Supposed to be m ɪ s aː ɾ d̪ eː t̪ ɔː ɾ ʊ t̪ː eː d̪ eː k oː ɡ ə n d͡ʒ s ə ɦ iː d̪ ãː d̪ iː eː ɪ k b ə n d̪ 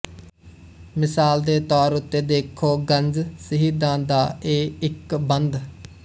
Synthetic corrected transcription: m ɪ s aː l d̪ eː t̪ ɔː ɾ ʊ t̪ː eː d̪ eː kʰ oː ɡ ə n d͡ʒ s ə ɦ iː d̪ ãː d̪ aː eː ɪ k b ə n d̪